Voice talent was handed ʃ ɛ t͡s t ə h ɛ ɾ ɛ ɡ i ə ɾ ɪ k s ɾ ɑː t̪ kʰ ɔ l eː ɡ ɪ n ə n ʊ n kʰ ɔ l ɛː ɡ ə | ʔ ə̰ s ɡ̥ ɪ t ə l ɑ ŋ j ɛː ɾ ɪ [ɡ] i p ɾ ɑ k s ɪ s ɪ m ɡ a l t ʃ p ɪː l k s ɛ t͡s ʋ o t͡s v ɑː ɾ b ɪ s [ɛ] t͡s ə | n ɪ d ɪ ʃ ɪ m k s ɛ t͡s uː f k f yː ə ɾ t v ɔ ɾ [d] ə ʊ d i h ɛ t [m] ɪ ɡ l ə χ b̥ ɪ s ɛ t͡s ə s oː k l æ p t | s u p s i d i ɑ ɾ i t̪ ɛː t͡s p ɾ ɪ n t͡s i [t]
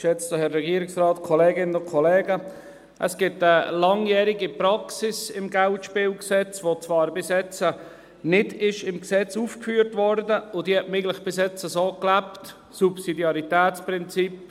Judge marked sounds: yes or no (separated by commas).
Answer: yes, yes, yes, yes, no